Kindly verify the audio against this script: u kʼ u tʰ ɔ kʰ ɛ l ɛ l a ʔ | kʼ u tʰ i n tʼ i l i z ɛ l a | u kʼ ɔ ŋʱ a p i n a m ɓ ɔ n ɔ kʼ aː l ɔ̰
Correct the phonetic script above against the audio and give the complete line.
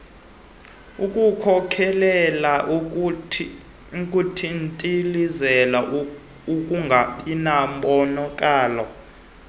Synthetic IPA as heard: u kʼ u kʰ ɔ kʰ ɛ l ɛ l a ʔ | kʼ u tʰ i n tʼ i l i z ɛ l a | u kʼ u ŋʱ a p i n a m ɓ ɔ n ɔ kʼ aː l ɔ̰

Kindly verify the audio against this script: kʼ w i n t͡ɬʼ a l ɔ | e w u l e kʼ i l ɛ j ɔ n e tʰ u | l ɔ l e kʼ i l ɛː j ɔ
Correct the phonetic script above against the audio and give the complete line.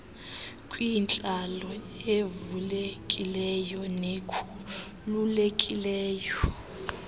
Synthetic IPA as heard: kʼ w i n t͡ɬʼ a l ɔ | e v u l e kʼ i l ɛ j ɔ n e kʰ u | l u l e kʼ i l ɛː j ɔ

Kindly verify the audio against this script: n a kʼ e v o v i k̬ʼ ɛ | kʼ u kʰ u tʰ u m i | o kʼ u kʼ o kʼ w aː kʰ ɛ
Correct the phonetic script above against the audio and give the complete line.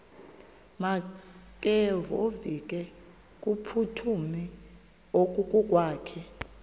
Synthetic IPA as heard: m a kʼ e v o v i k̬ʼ ɛ | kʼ u pʰ u tʰ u m i | o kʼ u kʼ u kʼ w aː kʰ ɛ

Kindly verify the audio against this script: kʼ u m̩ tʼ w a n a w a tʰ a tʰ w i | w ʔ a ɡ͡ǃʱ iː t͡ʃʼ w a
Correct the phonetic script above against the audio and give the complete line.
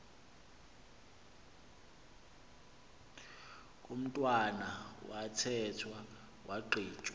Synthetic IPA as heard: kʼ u m̩ tʼ w a n a w a tʰ ɛ tʰ w a | w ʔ a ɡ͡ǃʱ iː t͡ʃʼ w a

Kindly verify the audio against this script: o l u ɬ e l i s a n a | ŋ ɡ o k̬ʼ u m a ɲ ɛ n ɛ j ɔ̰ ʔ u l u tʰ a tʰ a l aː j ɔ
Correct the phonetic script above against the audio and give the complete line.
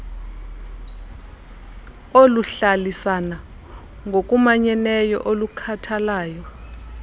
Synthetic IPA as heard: o l u ɬ a l i s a n a | ŋ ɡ o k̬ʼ u m a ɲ ɛ n ɛ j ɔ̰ ʔ o l u kʰ a tʰ a l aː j ɔ

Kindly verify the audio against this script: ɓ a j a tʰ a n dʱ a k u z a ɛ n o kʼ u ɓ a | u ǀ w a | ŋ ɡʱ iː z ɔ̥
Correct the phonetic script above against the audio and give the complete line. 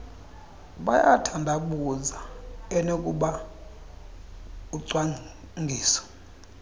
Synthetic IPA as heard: ɓ a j a tʰ a n dʱ a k u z a ɛ n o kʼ u ɓ a | u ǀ w a | ŋ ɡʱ iː s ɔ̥

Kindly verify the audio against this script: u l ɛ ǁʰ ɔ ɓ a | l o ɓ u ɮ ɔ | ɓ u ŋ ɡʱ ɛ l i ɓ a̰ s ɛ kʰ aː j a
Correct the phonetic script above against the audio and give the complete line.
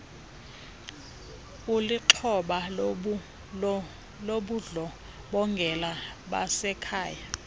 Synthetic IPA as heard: u l i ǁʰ ɔ ɓ a | l o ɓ u ɮ ɔ | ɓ ɔ ŋ ɡʱ ɛ l a ɓ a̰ s ɛ kʰ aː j a

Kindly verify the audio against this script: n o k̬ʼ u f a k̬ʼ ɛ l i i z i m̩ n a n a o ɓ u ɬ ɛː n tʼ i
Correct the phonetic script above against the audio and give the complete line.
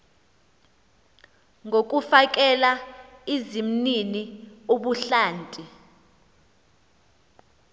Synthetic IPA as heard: ŋ o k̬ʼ u f a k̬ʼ ɛ l a i z i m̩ n i n i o ɓ u ɬ aː n tʼ i

